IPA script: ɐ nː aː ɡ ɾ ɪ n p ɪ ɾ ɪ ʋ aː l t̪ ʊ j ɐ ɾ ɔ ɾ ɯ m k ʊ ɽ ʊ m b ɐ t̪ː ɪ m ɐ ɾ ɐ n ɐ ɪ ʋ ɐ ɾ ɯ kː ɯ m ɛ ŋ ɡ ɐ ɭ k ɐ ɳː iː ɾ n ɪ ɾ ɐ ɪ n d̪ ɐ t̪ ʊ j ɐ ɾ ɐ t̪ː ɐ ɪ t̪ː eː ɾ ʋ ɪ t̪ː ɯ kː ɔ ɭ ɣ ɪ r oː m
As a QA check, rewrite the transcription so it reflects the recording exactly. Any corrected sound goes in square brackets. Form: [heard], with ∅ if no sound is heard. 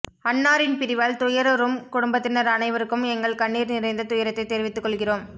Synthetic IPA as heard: ɐ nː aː [∅] ɾ ɪ n p ɪ ɾ ɪ ʋ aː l t̪ ʊ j ɐ ɾ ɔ ɾ ɯ m k ʊ ɽ ʊ m b ɐ t̪ː ɪ [n] ɐ ɾ ɐ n ɐ ɪ ʋ ɐ ɾ ɯ kː ɯ m ɛ ŋ ɡ ɐ ɭ k ɐ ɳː iː ɾ n ɪ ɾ ɐ ɪ n d̪ ɐ t̪ ʊ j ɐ ɾ ɐ t̪ː ɐ ɪ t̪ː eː ɾ ʋ ɪ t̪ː ɯ kː ɔ ɭ ɣ ɪ r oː m